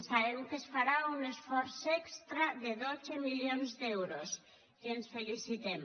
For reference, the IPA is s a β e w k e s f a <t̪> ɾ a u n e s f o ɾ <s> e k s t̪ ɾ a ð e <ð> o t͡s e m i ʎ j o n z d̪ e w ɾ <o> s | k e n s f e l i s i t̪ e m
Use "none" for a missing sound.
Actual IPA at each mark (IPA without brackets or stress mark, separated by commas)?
none, s, ð, o